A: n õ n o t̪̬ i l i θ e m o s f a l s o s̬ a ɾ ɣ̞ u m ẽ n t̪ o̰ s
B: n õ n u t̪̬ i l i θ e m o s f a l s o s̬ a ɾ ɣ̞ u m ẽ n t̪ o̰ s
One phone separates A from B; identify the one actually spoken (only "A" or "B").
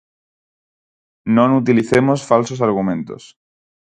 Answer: B